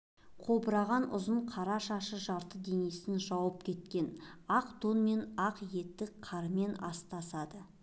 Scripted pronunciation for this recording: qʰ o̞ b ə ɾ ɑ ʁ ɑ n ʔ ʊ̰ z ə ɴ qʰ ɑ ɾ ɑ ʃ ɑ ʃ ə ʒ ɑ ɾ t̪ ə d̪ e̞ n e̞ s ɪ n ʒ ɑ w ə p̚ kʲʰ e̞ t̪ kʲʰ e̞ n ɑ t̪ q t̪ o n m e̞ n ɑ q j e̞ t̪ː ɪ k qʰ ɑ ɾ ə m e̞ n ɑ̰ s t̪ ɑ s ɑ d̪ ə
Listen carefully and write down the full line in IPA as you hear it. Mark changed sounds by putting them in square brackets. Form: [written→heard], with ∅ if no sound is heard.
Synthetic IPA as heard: qʰ o̞ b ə ɾ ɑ ʁ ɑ n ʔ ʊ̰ z ə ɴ qʰ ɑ ɾ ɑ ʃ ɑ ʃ ə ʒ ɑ ɾ t̪ ə d̪ e̞ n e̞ s ɪ n ʒ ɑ w ə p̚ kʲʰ e̞ t̪ [kʲʰ→kʲ] e̞ n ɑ [t̪→∅] q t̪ o n m e̞ n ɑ q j e̞ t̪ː ɪ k qʰ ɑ ɾ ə m e̞ n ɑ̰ s t̪ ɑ s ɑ d̪ ə

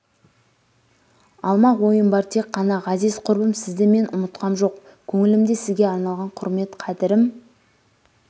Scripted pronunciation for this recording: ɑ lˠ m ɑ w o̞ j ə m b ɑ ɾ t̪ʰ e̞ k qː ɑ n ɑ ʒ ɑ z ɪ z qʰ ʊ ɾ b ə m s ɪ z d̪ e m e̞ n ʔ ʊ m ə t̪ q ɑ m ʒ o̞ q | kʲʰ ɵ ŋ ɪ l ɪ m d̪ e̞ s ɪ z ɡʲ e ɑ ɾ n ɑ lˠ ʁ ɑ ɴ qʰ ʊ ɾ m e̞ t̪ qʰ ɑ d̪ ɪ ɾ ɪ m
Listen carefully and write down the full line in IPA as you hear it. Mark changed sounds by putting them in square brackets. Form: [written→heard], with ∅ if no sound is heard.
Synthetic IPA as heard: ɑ lˠ m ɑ w o̞ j ə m b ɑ ɾ t̪ʰ e̞ k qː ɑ n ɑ [ʒ→ʁ] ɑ z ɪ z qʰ ʊ ɾ b ə m s ɪ z d̪ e m e̞ n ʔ ʊ m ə t̪ q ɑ m ʒ o̞ q | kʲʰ ɵ ŋ ɪ l ɪ m d̪ e̞ s ɪ z ɡʲ e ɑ ɾ n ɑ lˠ ʁ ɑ ɴ qʰ ʊ ɾ m e̞ t̪ qʰ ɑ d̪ ɪ ɾ ɪ m

